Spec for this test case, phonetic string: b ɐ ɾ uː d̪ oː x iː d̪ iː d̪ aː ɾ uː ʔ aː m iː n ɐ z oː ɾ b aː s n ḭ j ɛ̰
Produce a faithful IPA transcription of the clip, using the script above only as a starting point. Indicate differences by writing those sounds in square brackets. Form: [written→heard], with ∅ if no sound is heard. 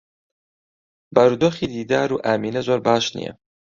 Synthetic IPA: b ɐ ɾ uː d̪ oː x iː d̪ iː d̪ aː ɾ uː ʔ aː m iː n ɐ z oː ɾ b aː [s→ʃ] n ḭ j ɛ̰